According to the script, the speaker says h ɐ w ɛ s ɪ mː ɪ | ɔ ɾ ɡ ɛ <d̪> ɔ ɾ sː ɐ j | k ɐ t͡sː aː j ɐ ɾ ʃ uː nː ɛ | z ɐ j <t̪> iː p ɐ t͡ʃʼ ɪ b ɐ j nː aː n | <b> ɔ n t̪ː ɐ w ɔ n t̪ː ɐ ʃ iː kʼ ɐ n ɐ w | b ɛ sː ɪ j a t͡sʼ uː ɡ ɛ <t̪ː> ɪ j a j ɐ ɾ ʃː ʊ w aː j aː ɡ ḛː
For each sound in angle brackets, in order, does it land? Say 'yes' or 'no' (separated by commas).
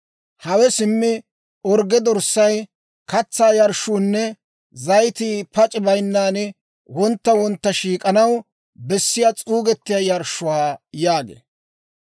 yes, yes, no, yes